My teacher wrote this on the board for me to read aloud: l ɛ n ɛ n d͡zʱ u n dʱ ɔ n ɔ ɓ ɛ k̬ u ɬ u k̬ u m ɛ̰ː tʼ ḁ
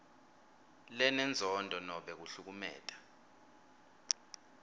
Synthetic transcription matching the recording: l ɛ n ɛ n d͡zʱ ɔ n dʱ ɔ n ɔ ɓ ɛ k̬ u ɬ u k̬ u m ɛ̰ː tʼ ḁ